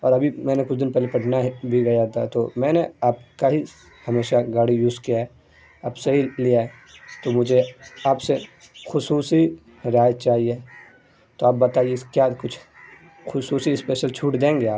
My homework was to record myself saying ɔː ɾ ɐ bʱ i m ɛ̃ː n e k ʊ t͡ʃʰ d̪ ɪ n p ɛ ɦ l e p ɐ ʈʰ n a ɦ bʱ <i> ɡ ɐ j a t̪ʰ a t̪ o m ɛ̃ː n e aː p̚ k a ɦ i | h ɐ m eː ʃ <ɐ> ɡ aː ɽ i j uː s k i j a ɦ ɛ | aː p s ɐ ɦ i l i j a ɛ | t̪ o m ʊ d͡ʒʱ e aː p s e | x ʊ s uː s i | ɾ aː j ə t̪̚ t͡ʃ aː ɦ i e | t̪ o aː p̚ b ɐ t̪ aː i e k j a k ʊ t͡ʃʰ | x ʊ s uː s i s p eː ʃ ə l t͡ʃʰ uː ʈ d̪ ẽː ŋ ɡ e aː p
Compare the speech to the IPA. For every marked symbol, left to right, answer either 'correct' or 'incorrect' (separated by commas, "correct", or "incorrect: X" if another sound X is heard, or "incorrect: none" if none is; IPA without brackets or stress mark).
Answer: correct, incorrect: a